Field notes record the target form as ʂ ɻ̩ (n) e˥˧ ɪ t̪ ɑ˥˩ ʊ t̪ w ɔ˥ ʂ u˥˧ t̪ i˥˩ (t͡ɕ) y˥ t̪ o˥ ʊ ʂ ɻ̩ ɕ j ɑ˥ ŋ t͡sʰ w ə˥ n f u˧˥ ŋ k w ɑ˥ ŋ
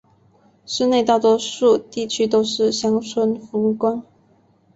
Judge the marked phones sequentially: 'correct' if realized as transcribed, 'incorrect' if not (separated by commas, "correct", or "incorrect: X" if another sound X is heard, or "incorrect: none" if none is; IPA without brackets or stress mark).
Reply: correct, incorrect: t͡ɕʰ